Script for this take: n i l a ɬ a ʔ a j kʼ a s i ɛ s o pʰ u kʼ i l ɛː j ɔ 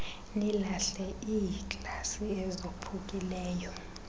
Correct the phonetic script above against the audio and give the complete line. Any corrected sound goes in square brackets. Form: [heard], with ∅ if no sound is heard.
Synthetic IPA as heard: n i l a ɬ [ɛ] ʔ [i] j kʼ a s i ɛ [z] o pʰ u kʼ i l ɛː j ɔ